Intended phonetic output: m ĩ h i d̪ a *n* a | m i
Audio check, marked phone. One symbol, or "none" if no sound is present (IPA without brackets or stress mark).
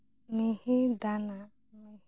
n